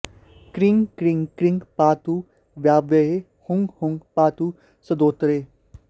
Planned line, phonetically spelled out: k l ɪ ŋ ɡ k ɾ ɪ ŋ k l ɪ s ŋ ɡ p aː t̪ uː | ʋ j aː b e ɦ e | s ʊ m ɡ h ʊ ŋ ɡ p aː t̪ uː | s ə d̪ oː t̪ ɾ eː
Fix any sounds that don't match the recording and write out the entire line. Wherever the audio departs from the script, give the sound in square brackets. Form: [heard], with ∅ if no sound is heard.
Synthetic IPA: k [ɾ] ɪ ŋ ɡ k ɾ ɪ ŋ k [ɾ] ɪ [∅] ŋ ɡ p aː t̪ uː | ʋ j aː b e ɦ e | [h] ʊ [ŋ] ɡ h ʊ ŋ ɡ p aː t̪ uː | s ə d̪ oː t̪ ɾ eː